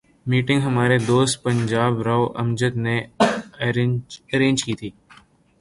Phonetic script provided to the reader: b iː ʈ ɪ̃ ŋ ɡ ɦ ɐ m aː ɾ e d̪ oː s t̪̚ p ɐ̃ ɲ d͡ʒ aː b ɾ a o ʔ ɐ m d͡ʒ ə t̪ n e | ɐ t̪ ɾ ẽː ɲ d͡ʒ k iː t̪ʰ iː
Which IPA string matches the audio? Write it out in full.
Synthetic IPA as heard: m iː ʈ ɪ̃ ŋ ɡ ɦ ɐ m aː ɾ e d̪ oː s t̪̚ p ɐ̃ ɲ d͡ʒ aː b ɾ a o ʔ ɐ m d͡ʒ ə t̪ n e | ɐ ɾ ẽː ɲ d͡ʒ k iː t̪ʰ iː

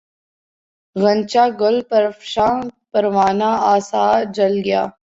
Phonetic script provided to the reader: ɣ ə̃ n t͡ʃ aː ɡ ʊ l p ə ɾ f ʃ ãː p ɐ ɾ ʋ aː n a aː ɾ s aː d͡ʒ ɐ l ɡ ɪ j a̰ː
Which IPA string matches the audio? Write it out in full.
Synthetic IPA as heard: ɣ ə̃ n t͡ʃ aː ɡ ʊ l p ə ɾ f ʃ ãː p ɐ ɾ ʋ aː n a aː s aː d͡ʒ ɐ l ɡ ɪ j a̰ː

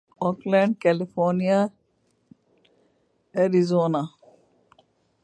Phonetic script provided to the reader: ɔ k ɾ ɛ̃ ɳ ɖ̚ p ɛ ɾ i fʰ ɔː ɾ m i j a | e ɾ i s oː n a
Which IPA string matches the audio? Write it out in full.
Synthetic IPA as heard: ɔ k l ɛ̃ ɳ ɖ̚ k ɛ l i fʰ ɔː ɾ n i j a | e ɾ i z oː n a

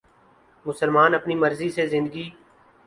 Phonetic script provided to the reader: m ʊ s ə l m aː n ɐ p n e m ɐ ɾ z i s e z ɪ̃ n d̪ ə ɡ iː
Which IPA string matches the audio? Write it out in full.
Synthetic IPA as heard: m ʊ s ə l m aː n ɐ p n i m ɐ ɾ z i s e z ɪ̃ n d̪ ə ɡ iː

